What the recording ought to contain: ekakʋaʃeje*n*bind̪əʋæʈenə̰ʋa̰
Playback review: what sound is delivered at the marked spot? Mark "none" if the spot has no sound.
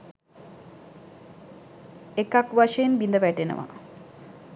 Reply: n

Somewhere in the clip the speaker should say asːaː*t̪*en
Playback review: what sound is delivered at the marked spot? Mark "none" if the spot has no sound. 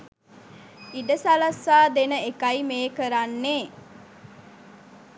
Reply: d̪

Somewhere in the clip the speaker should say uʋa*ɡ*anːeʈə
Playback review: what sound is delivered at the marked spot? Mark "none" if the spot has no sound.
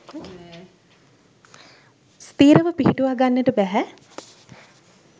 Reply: ɡ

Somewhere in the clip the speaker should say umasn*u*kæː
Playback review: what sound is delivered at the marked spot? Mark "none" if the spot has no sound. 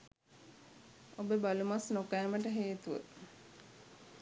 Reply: o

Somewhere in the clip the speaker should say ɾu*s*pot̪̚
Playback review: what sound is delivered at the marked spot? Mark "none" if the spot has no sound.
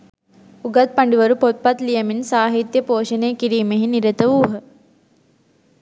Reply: none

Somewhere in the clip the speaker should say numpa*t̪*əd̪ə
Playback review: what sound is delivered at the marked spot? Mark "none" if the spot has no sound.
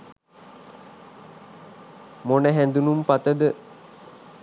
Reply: t̪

